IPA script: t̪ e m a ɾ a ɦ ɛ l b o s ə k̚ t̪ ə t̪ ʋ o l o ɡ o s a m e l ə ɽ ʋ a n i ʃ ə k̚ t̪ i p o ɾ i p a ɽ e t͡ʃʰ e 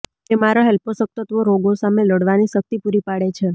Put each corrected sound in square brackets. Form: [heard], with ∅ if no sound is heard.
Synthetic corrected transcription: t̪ e m a ɾ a ɦ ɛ l [p] o s ə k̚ t̪ ə t̪ ʋ o [ɾ] o ɡ o s a m e l ə ɽ ʋ a n i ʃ ə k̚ t̪ i p [u] ɾ i p a ɽ e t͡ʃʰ e